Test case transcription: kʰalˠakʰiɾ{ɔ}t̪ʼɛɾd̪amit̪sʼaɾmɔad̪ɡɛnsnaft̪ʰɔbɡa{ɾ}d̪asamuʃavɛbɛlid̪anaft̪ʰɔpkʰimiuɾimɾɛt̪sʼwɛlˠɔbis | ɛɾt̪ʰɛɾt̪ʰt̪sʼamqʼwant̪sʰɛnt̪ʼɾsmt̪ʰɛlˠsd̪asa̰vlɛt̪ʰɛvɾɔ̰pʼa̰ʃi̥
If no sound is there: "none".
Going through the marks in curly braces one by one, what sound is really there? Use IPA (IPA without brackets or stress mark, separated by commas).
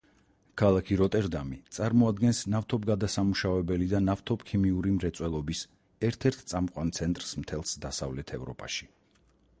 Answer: ɔ, none